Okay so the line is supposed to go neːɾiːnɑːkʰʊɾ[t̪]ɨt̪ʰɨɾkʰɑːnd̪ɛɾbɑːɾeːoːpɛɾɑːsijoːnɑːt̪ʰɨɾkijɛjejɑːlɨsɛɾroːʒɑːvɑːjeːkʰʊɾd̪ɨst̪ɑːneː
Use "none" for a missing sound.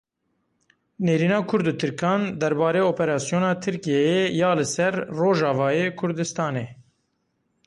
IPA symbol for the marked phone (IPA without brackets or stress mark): d̪